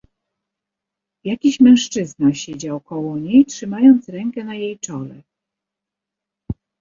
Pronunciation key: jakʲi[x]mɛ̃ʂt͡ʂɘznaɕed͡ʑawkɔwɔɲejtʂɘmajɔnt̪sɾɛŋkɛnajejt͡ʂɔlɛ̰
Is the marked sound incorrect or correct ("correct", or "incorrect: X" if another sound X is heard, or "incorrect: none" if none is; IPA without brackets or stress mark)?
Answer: incorrect: ɕ